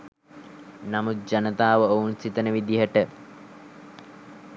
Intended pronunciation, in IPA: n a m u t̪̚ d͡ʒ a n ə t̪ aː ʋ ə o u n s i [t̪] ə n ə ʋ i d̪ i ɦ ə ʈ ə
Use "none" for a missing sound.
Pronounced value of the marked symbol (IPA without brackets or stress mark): t̪